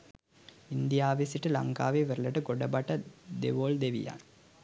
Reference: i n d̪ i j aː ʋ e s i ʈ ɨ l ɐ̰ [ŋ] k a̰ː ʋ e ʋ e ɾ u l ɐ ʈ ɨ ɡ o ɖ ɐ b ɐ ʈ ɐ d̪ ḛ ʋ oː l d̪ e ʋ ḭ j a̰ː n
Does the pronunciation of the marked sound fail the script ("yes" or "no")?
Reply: no